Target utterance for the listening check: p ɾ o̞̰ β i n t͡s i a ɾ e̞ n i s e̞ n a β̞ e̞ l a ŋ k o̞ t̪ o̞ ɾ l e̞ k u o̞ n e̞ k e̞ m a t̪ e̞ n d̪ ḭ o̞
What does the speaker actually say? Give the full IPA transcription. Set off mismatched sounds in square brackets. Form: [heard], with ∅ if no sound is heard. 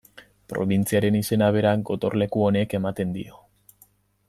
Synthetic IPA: p ɾ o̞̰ β i n t͡s i a ɾ e̞ n i s e̞ n a β̞ e̞ [ɾ] a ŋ [ɡ] o̞ t̪ o̞ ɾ l e̞ k u o̞ n e̞ k e̞ m a t̪ e̞ n d̪ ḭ o̞